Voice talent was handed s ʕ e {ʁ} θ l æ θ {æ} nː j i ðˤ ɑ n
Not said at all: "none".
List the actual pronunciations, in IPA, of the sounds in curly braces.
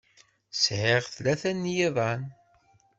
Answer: ʁ, æ

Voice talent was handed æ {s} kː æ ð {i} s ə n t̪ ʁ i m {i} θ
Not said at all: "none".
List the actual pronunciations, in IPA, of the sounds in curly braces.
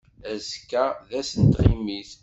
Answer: z, æ, i

